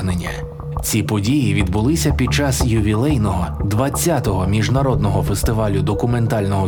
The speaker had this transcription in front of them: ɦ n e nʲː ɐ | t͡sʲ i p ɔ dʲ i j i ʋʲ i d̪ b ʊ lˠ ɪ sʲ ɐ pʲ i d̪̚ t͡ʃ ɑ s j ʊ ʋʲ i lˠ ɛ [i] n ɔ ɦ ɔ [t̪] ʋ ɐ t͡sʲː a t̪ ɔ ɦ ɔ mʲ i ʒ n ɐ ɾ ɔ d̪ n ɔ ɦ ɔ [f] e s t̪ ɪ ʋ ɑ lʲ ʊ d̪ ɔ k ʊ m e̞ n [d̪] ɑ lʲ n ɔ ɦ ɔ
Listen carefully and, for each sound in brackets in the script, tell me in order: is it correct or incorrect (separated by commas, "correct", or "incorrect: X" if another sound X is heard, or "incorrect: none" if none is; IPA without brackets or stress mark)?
incorrect: j, incorrect: d̪, correct, incorrect: t̪